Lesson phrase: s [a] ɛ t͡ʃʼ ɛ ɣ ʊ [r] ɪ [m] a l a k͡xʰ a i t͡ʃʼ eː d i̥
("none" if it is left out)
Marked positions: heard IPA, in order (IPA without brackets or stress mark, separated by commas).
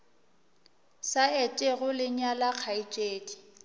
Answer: a, l, ɲ